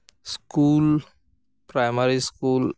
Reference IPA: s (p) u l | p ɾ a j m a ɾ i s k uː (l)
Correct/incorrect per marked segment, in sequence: incorrect: k, correct

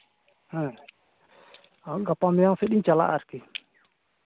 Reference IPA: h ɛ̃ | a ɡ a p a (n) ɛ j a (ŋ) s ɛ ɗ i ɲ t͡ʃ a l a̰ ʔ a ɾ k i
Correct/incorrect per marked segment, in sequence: incorrect: m, correct

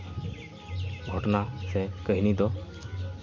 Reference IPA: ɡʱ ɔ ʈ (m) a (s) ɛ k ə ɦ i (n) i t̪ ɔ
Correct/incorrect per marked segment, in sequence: incorrect: n, correct, correct

